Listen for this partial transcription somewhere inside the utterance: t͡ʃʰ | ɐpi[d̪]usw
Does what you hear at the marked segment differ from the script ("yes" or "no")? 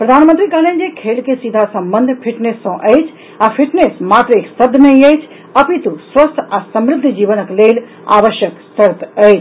yes